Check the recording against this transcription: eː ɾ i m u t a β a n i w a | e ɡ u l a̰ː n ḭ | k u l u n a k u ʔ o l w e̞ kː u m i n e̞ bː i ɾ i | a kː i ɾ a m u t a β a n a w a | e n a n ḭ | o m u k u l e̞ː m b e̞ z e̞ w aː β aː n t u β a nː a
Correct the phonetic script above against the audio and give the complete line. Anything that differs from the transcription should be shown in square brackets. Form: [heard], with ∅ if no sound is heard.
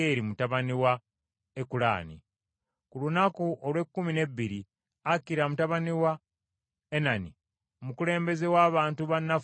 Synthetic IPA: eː ɾ i m u t a β a n i w a | e [k] u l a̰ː n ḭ | k u l u n a k u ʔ o l w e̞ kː u m i n e̞ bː i ɾ i | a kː i ɾ a m u t a β a n [i] w a | e n a n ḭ | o m u k u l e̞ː m b e̞ z e̞ w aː β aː n t u β a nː a